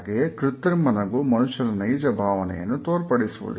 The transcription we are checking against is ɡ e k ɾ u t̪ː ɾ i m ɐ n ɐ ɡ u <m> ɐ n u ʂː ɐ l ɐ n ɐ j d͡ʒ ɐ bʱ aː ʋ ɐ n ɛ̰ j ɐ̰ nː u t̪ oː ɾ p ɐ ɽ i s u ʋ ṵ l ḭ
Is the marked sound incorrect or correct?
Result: correct